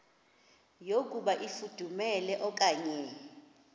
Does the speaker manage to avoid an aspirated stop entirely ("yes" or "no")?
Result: yes